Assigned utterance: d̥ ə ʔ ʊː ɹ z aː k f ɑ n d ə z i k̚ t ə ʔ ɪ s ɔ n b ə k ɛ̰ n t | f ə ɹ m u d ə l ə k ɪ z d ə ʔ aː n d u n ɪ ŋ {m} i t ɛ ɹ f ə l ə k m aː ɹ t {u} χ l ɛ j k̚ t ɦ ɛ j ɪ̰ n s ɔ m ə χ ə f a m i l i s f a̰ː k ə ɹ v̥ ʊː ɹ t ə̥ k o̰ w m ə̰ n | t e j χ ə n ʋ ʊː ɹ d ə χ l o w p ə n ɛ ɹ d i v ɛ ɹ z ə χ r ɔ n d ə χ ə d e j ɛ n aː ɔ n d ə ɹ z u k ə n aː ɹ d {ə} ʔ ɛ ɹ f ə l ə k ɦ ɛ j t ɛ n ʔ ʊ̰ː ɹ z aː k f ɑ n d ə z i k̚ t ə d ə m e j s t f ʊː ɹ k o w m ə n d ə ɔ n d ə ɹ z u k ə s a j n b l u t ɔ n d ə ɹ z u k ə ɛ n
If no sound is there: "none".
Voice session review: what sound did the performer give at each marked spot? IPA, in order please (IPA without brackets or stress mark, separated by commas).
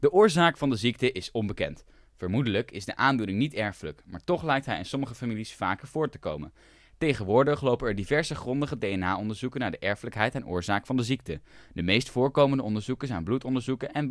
n, ɔ, ə